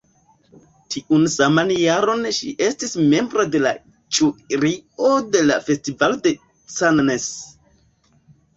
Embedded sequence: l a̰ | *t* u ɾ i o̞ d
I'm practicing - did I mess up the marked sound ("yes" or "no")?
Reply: yes